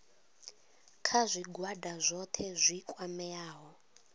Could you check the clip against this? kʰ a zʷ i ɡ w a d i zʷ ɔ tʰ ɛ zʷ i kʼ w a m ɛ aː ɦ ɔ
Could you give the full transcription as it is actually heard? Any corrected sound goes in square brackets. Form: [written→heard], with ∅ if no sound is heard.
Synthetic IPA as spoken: kʰ a zʷ i ɡ w a d [i→a] zʷ ɔ tʰ ɛ zʷ i kʼ w a m ɛ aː ɦ ɔ